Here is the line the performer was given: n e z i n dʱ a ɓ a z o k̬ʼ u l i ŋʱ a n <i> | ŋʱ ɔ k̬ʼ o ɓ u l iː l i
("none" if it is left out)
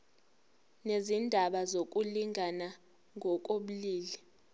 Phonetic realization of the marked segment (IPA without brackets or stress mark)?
a